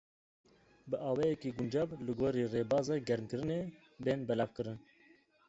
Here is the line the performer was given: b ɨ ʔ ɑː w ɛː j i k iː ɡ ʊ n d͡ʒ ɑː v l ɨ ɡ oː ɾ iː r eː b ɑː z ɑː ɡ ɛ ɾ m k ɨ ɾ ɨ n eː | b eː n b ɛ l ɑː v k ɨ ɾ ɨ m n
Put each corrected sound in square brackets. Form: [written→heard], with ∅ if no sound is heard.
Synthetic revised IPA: b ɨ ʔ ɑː w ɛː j [i→ɛ] k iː ɡ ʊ n d͡ʒ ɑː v l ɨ ɡ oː ɾ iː r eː b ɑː z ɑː ɡ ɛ ɾ m k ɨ ɾ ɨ n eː | b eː n b ɛ l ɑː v k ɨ ɾ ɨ [m→∅] n